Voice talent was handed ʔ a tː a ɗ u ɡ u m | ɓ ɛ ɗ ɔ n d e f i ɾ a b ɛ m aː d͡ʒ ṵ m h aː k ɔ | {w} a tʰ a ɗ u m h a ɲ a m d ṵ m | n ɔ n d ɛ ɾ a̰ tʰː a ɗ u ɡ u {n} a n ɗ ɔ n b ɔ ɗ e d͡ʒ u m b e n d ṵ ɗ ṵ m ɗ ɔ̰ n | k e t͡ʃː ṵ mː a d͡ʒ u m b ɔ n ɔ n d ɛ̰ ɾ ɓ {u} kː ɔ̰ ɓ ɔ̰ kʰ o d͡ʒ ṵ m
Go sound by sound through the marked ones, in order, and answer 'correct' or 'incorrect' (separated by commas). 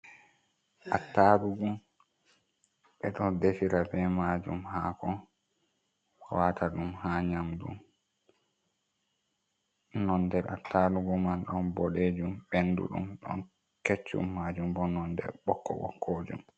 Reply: correct, incorrect, incorrect